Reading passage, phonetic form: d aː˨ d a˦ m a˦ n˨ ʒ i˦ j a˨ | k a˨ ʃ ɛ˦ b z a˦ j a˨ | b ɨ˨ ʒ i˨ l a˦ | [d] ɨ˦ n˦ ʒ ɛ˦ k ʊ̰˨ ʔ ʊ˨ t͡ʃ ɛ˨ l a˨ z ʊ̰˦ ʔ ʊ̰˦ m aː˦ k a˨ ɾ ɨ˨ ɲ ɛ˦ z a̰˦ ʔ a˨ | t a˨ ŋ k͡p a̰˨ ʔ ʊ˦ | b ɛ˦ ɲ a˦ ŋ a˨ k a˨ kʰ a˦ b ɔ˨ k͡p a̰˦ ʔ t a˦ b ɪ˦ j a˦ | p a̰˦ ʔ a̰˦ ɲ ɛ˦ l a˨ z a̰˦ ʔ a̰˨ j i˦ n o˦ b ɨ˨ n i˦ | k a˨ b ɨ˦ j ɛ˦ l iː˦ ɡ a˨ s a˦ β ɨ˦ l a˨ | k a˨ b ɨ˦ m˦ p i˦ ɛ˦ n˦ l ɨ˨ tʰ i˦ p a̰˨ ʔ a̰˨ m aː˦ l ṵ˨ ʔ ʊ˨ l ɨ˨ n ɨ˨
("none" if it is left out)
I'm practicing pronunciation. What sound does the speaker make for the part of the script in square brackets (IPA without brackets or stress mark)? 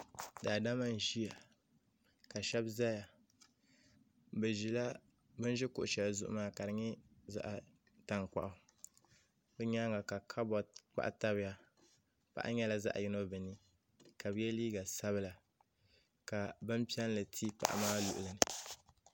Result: b